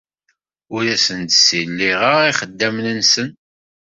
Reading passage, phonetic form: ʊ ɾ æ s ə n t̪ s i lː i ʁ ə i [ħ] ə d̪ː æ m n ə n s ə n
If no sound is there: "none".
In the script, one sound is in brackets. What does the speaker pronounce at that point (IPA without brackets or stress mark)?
χ